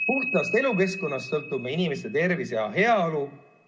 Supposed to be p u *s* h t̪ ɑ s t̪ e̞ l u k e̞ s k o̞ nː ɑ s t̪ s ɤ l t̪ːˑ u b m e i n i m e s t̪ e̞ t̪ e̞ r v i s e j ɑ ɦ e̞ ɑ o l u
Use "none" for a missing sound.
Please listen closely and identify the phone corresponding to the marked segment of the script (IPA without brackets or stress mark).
none